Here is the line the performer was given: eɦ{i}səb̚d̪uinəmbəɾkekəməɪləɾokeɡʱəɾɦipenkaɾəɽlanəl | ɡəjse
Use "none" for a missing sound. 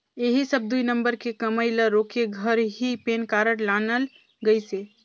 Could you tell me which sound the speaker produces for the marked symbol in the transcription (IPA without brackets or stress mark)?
i